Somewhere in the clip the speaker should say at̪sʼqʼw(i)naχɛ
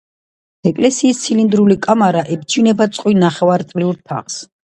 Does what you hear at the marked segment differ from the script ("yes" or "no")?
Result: no